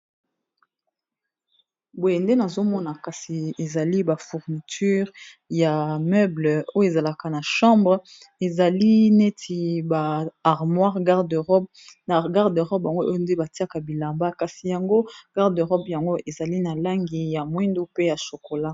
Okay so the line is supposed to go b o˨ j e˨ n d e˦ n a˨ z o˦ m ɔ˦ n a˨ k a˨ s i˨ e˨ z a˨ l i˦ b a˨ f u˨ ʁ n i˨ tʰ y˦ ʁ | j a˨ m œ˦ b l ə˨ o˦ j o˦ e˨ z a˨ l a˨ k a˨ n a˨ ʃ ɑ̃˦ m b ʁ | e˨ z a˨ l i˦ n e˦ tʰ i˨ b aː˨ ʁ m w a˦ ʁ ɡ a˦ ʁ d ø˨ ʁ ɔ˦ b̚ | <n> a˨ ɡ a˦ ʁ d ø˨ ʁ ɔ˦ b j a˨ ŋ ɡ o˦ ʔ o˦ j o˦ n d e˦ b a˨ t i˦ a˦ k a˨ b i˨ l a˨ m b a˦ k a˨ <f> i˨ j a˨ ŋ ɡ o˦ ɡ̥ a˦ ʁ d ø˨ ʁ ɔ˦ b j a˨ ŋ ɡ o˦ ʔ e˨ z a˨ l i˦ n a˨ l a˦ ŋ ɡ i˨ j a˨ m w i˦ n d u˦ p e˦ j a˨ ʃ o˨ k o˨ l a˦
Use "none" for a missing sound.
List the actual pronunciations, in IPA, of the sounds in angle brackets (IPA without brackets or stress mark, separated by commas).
n, s